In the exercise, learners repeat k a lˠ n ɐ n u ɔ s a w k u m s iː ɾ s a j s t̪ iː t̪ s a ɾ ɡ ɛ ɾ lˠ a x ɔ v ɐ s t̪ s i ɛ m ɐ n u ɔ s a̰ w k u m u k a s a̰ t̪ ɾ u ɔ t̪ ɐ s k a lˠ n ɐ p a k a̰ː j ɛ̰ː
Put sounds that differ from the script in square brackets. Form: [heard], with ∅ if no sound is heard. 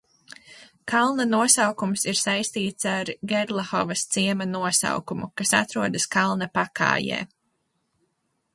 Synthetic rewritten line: k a lˠ n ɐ n u ɔ s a w k u m s [i] ɾ s a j s t̪ iː t̪ s a ɾ ɡ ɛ ɾ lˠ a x ɔ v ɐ s t̪ s i ɛ m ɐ n u ɔ s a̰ w k u m u k a s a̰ t̪ ɾ u ɔ [d̪] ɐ s k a lˠ n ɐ p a k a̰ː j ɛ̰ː